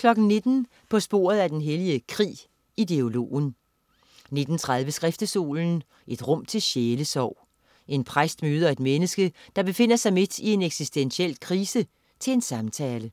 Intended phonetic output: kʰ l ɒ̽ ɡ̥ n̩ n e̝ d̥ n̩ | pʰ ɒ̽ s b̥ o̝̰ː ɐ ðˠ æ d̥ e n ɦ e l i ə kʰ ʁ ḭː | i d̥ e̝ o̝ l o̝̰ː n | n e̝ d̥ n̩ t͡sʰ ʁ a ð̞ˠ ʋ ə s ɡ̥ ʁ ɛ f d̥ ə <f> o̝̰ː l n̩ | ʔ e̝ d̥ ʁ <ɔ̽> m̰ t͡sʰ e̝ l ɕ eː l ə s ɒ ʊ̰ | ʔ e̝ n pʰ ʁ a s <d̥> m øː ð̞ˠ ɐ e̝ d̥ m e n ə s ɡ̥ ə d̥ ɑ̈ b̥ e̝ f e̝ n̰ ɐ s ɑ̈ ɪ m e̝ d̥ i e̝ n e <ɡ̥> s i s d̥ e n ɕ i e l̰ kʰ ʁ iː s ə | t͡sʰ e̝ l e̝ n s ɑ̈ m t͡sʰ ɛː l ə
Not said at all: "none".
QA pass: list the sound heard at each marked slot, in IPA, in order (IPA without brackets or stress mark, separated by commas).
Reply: s, ɔ̽, d̥, ɡ̥